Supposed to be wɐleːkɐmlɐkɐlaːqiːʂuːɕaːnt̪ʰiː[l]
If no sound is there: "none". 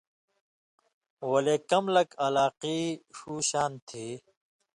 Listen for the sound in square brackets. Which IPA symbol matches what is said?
none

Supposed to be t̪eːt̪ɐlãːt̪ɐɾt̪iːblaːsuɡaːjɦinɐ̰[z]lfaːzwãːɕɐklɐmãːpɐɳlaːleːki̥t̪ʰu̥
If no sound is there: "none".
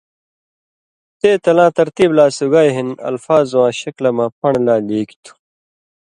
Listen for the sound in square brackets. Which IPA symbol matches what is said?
none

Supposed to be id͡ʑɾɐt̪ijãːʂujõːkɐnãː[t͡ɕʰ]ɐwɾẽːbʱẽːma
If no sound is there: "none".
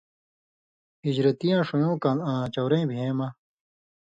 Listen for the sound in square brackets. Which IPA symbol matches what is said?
t͡ɕ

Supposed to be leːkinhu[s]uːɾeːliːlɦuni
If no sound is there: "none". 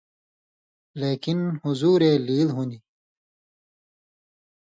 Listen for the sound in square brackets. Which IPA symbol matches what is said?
z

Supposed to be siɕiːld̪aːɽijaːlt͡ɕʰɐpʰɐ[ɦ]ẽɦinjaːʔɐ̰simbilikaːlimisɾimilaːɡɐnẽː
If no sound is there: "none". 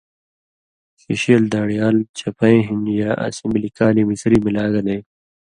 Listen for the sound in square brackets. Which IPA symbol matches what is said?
none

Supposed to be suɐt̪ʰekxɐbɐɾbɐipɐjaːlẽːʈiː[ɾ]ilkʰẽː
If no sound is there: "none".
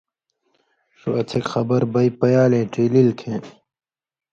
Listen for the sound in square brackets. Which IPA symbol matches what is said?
l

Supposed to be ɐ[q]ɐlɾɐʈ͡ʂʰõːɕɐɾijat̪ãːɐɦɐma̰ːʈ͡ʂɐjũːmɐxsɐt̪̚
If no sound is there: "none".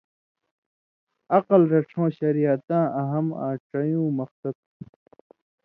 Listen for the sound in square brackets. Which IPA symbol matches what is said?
q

